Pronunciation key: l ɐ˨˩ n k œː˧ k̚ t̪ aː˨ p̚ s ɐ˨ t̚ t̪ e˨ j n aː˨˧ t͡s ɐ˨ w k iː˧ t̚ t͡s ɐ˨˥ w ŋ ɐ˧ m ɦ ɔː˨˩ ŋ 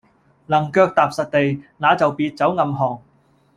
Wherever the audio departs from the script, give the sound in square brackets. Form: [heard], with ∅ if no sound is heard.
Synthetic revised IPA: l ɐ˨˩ [ŋ] k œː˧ k̚ t̪ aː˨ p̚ s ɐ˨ t̚ t̪ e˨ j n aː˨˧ t͡s ɐ˨ w [p] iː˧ t̚ t͡s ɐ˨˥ w ŋ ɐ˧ m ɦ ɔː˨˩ ŋ